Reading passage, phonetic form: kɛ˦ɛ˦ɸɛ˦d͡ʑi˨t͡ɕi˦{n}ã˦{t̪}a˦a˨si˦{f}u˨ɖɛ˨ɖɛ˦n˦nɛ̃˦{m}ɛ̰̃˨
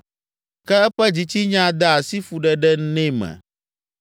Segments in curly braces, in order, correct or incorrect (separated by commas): incorrect, incorrect, correct, correct